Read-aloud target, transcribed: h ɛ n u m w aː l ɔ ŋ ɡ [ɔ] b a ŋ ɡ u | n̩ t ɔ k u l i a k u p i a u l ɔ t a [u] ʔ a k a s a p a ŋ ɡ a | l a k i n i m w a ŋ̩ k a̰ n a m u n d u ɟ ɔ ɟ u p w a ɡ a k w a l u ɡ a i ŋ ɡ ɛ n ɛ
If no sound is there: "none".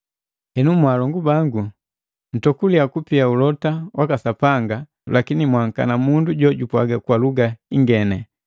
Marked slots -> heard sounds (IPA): u, w

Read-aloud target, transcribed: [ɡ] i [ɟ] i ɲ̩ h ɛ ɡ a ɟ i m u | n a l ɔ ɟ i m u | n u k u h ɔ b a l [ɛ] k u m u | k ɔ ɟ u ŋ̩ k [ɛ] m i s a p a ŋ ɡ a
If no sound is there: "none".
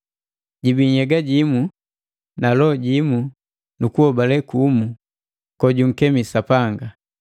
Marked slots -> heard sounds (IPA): ɟ, b, ɛ, ɛ

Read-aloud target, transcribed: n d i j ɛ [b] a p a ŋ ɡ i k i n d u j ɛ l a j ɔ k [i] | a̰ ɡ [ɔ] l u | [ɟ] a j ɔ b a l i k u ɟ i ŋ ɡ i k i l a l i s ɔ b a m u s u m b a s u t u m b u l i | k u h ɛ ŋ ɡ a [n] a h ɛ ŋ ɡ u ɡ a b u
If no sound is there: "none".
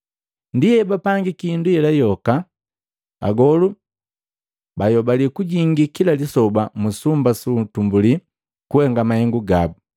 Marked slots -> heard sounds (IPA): b, a, ɔ, b, m

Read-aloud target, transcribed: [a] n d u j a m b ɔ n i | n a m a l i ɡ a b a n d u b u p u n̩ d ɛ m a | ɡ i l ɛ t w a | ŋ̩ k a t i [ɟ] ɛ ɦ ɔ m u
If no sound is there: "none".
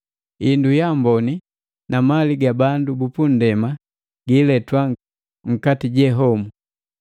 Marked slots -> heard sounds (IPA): i, ɟ

